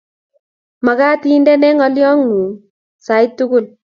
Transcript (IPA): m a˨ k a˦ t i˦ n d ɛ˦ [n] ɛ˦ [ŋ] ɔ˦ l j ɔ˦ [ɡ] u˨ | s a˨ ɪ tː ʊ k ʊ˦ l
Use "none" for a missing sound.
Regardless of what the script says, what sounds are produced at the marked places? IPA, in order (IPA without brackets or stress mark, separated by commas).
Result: n, ŋ, ŋ